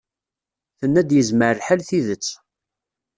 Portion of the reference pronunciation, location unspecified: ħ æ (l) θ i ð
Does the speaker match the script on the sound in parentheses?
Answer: yes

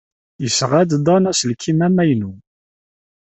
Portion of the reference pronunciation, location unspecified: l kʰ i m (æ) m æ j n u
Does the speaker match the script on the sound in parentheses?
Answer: yes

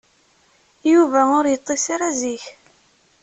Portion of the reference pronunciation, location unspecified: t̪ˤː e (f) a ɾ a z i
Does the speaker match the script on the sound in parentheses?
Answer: no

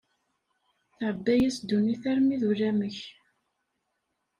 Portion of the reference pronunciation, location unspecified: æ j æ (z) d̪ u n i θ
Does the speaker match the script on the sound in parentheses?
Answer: no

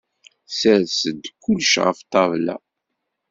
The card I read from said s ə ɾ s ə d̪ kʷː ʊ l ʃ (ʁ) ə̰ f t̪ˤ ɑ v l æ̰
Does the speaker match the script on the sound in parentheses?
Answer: yes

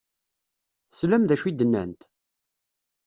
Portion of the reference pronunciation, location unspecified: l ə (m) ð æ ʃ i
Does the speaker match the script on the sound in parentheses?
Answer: yes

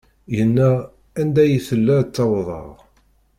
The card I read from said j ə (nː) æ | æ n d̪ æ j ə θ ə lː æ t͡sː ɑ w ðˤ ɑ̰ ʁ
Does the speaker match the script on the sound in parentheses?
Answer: yes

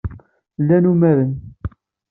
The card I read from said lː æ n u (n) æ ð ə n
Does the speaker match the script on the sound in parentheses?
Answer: no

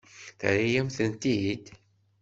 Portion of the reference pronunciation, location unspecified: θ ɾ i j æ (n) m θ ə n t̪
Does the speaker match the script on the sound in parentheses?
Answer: no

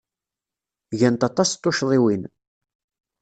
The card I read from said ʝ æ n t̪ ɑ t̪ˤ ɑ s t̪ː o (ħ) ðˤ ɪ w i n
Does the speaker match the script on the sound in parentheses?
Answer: no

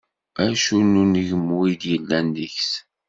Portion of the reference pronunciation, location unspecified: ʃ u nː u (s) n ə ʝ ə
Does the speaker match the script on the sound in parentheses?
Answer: no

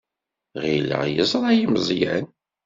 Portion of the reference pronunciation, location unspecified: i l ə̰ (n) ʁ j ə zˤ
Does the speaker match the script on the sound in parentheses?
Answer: no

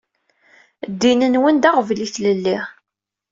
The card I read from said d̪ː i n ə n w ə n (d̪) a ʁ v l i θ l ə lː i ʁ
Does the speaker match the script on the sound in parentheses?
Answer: yes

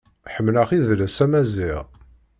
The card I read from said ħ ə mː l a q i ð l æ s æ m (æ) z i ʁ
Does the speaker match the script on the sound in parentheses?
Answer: yes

